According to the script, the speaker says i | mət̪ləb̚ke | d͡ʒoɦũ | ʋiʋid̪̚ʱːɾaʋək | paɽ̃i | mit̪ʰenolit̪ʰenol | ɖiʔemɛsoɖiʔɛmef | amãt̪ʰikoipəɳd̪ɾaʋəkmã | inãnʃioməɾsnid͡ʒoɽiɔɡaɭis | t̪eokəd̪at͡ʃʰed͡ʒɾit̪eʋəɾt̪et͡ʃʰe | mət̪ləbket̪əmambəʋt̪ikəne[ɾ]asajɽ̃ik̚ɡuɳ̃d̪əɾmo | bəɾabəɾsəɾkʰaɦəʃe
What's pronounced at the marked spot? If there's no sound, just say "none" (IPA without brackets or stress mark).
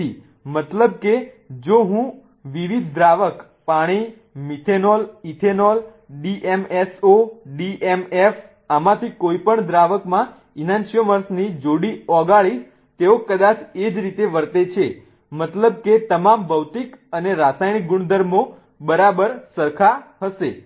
ɾ